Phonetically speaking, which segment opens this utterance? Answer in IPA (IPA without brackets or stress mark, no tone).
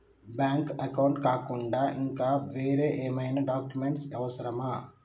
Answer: b